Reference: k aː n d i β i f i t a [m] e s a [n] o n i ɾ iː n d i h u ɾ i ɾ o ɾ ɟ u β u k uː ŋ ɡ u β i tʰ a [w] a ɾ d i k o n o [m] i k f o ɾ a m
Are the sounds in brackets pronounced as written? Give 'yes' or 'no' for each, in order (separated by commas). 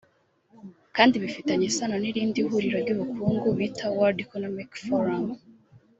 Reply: no, yes, yes, yes